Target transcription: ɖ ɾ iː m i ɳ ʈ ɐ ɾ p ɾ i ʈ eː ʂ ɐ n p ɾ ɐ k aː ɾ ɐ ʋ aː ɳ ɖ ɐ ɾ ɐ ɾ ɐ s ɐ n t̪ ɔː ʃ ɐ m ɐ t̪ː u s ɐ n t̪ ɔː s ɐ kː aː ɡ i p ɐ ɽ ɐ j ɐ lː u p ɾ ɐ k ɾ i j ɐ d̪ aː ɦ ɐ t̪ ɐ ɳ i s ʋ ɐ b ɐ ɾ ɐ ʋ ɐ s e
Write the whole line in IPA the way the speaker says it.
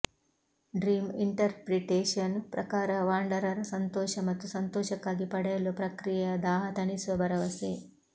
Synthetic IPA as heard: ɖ ɾ iː m i ɳ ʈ ɐ ɾ p ɾ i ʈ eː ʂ ɐ n p ɾ ɐ k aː ɾ ɐ ʋ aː ɳ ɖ ɐ ɾ ɐ ɾ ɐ s ɐ n t̪ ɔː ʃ ɐ m ɐ t̪ː u s ɐ n t̪ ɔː ʃ ɐ kː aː ɡ i p ɐ ɽ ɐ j ɐ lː u p ɾ ɐ k ɾ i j ɐ d̪ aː ɦ ɐ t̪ ɐ ɳ i s ʋ ɐ b ɐ ɾ ɐ ʋ ɐ s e